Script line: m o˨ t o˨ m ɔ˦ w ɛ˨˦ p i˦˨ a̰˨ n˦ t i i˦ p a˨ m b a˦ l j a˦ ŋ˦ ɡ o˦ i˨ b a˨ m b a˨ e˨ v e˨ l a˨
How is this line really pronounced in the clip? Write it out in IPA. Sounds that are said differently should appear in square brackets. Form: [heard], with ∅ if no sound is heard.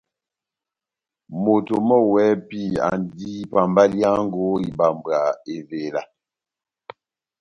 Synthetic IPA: m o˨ t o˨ m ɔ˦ w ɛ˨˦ p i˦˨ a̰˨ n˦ [d] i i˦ p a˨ m b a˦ l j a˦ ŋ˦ ɡ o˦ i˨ b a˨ m b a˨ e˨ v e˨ l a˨